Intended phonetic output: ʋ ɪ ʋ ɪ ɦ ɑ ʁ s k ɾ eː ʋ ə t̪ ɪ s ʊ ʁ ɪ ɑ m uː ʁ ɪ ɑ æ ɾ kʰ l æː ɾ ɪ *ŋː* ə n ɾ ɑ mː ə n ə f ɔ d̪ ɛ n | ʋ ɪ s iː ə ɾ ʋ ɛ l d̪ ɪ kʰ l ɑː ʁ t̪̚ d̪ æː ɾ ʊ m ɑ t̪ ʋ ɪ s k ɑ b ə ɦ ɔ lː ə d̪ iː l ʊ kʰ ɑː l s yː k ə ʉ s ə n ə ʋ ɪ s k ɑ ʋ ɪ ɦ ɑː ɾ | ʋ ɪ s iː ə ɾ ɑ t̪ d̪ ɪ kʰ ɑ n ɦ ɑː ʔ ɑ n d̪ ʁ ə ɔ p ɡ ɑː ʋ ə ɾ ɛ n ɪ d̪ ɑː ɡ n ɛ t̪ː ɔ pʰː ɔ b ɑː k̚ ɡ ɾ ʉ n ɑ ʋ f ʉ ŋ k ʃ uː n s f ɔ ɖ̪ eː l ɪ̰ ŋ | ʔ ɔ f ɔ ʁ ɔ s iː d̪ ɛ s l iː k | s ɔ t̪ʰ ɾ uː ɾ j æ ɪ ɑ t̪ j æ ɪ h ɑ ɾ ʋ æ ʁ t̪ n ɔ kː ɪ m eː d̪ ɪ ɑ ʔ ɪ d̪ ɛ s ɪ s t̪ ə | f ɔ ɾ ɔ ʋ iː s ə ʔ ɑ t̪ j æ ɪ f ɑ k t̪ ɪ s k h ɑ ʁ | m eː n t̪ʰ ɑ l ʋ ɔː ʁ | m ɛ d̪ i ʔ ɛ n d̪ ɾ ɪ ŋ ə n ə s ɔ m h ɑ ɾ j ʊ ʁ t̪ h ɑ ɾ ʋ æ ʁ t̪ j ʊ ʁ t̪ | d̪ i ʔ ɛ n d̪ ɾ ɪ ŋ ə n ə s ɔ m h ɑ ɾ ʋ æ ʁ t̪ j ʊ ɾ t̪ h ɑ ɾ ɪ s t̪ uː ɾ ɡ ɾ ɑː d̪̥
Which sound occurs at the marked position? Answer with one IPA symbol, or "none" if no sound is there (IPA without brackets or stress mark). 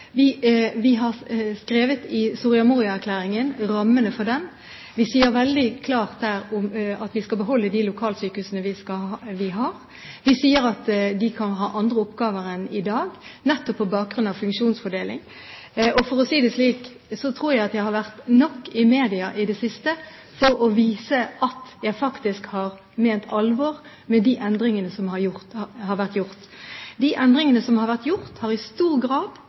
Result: ŋ